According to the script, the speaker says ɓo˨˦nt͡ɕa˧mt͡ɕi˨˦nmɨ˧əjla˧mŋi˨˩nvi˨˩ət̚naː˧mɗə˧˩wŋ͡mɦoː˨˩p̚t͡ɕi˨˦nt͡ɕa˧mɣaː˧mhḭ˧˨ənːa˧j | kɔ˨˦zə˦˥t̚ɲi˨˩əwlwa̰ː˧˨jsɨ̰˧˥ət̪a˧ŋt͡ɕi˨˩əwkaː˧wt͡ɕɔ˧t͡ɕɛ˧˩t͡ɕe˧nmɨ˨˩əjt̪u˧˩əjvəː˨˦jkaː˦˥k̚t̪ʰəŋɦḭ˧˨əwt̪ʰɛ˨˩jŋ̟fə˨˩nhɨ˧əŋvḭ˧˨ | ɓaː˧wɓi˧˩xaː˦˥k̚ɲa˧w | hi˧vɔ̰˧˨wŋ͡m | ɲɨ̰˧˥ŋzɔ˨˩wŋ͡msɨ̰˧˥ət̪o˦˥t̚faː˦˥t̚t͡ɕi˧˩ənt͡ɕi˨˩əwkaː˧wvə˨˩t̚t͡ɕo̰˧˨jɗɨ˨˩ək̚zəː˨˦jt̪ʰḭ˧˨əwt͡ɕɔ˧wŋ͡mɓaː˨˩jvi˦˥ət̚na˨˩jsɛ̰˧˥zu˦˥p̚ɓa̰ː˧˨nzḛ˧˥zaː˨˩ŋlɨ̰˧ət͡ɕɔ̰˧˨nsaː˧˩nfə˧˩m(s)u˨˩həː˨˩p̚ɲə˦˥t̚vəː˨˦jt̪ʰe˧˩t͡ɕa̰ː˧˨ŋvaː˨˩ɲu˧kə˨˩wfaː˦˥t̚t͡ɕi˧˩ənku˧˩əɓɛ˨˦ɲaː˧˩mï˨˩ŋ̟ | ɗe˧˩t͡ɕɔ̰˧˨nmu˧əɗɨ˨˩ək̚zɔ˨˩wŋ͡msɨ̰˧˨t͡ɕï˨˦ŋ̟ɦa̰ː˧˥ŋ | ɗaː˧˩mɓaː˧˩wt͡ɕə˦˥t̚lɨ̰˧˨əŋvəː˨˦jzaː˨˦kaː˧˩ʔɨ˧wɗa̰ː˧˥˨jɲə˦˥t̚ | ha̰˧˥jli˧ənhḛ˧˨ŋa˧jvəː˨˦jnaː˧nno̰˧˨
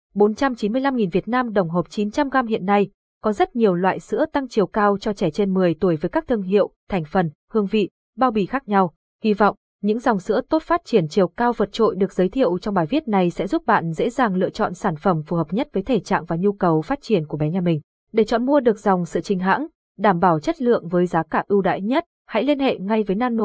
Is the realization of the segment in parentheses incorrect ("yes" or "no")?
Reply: yes